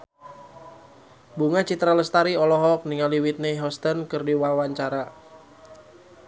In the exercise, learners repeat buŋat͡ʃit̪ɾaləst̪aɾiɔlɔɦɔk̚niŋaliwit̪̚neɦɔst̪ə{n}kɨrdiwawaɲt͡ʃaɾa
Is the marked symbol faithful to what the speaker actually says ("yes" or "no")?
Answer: yes